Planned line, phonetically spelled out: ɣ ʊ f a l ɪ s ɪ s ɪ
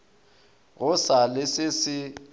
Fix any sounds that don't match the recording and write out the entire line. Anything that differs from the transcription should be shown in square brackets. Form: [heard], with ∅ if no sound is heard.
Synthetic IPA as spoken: ɣ ʊ [s] a l ɪ s ɪ s ɪ